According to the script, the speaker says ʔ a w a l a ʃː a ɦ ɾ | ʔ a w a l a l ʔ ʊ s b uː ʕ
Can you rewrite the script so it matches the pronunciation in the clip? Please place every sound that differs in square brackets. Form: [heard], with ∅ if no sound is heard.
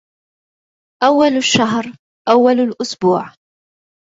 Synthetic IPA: ʔ a [wː] a l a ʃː a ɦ ɾ | ʔ a [wː] a l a l ʔ ʊ s b uː ʕ